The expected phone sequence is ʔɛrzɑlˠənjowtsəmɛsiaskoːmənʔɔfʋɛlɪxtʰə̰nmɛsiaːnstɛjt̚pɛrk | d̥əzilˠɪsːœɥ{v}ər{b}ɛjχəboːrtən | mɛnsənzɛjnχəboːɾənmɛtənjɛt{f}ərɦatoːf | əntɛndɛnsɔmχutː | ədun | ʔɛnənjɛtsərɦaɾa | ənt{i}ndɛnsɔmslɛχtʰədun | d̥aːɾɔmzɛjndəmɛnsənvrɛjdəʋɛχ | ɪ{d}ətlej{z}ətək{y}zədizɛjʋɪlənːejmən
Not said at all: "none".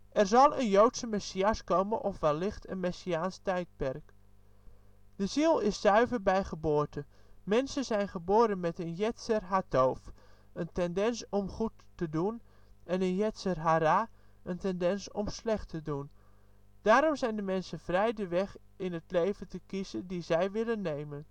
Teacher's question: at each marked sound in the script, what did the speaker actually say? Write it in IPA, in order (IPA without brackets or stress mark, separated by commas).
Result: v, b, s, ɛ, n, v, i